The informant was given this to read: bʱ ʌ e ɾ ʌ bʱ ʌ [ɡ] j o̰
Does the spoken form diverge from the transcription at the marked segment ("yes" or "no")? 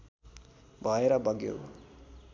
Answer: no